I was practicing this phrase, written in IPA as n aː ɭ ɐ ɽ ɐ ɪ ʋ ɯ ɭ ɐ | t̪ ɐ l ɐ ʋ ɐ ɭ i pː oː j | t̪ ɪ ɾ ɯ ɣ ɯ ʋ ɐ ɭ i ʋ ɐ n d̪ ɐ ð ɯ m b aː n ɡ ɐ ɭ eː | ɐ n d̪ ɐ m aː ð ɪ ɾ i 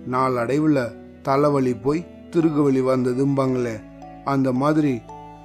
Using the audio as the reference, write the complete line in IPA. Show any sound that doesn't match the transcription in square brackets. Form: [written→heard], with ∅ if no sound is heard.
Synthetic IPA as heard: n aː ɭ ɐ ɽ ɐ ɪ ʋ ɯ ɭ ɐ | t̪ ɐ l ɐ ʋ ɐ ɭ i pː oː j | t̪ ɪ ɾ ɯ ɣ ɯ ʋ ɐ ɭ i ʋ ɐ n d̪ ɐ ð ɯ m b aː [n→ŋ] ɡ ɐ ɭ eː | ɐ n d̪ ɐ m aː ð ɪ ɾ i